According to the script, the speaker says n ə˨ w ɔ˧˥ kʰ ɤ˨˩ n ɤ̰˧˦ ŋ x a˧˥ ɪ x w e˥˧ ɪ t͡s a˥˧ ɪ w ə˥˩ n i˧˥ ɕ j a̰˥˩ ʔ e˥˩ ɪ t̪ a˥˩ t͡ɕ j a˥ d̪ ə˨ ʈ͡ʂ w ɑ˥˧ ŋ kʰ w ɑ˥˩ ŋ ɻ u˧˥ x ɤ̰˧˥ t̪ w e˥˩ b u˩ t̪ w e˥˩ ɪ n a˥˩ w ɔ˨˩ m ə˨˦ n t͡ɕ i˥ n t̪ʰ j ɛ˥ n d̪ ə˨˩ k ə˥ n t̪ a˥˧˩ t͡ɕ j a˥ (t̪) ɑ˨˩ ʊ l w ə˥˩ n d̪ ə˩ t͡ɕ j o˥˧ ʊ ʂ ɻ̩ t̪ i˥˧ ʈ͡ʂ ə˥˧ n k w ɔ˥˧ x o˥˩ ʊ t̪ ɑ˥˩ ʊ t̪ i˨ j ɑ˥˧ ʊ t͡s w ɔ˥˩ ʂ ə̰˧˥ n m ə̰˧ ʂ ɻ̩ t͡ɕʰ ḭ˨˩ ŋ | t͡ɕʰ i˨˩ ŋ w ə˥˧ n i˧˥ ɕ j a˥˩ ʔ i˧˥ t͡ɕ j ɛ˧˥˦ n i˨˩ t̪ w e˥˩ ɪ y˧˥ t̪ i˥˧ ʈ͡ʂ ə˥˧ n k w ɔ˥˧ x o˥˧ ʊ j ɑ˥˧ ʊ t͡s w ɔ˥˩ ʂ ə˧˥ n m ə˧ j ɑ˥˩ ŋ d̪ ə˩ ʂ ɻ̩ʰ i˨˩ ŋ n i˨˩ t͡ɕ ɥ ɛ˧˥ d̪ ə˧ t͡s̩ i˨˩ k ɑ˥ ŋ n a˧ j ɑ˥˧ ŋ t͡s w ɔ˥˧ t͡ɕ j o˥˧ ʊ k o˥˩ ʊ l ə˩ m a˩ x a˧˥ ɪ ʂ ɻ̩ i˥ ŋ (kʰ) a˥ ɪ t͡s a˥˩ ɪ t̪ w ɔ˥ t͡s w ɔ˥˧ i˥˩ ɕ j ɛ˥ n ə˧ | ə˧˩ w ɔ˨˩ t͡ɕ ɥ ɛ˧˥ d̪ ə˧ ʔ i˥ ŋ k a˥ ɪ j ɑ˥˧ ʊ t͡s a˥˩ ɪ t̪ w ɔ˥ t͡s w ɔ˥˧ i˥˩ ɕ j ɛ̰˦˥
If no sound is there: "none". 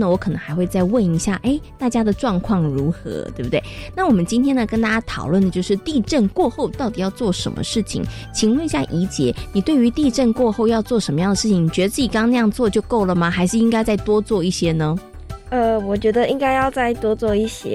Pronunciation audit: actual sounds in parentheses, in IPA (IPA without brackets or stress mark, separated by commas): t̪ʰ, k